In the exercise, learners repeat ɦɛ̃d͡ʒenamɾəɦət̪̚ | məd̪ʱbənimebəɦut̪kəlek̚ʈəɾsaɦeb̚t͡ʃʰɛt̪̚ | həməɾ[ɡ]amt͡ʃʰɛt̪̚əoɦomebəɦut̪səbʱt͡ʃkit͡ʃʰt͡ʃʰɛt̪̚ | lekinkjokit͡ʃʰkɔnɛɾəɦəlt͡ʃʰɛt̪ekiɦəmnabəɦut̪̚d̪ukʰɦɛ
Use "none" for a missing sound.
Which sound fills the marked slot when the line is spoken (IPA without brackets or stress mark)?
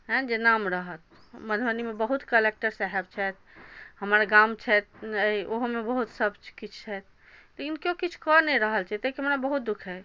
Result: ɡ